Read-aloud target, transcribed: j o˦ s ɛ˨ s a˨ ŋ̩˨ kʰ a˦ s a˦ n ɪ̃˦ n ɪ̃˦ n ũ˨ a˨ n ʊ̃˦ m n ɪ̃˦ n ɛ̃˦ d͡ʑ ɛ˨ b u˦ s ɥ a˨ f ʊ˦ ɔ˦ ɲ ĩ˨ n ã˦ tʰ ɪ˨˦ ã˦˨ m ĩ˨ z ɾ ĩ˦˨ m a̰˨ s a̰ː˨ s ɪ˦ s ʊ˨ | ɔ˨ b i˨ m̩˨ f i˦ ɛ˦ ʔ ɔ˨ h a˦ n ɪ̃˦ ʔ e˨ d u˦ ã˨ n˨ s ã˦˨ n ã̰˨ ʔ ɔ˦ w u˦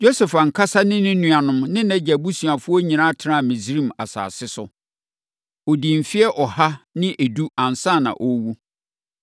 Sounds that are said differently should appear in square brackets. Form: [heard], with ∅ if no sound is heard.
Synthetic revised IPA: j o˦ s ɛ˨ [f] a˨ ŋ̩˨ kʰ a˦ s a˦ n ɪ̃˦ n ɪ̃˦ n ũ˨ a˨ n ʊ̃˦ m n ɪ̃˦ n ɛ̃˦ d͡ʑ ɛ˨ b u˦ s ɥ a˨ f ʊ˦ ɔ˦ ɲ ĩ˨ n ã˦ tʰ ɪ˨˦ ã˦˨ m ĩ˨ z ɾ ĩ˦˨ m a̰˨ s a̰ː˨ s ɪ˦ s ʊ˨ | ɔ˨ [d] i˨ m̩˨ f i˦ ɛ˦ ʔ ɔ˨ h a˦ n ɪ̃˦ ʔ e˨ d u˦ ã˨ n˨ s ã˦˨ n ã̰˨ ʔ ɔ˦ w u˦